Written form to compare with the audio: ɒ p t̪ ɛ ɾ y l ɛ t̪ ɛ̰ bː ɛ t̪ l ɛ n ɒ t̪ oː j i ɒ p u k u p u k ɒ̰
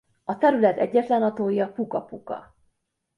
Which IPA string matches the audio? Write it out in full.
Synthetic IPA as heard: ɒ t̪ ɛ ɾ y l ɛ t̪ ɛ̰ ɟː ɛ t̪ l ɛ n ɒ t̪ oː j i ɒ p u k ɒ p u k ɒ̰